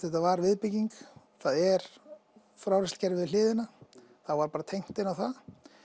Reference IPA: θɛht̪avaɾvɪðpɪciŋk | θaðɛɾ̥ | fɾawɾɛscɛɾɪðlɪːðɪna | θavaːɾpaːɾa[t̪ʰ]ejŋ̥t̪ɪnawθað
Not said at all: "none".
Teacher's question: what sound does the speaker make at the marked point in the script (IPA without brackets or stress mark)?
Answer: t̪ʰ